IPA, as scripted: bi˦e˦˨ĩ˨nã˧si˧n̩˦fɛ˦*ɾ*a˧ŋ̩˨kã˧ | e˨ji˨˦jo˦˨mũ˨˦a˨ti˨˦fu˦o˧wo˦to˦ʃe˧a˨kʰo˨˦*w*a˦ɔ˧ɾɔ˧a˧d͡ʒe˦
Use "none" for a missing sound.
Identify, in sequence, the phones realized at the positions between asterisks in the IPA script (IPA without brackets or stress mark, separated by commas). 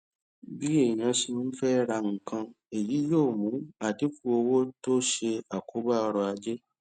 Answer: ɾ, b